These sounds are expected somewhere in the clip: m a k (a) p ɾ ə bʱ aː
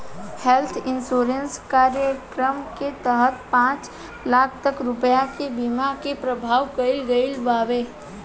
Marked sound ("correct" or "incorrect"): incorrect